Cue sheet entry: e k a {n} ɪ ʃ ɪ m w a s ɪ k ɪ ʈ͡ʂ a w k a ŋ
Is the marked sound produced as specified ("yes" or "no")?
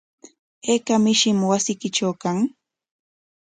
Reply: no